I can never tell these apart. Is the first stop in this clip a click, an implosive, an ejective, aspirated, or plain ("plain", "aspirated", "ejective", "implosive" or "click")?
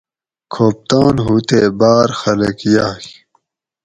aspirated